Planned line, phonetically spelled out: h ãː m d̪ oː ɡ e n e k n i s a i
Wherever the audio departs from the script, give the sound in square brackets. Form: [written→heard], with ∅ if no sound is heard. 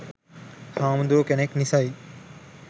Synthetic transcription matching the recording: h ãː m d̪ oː [ɡ→k] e n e k n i s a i